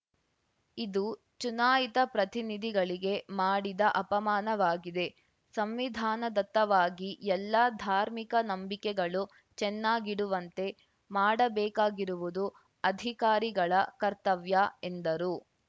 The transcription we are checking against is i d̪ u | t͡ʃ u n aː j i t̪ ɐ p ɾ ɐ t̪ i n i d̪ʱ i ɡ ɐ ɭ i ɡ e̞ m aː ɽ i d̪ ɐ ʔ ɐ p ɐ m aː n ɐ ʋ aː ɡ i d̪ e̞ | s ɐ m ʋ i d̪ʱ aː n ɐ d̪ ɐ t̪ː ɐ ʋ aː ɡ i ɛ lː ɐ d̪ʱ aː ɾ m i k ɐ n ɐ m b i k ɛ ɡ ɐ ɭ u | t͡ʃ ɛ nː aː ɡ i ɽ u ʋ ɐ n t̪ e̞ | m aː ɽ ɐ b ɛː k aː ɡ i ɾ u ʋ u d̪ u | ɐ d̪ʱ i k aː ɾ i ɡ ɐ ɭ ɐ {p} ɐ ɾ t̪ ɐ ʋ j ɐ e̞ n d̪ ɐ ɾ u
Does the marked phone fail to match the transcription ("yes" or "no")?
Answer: yes